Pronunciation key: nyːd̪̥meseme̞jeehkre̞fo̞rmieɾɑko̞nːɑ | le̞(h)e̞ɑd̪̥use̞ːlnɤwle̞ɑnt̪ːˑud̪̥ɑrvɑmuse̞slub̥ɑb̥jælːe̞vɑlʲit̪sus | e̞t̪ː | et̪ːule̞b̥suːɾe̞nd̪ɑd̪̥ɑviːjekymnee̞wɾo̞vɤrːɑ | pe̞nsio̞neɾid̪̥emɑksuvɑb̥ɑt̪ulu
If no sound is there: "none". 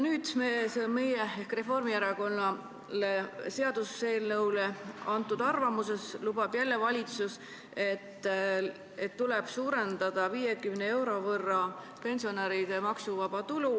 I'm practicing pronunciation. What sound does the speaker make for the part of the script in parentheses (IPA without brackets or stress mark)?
s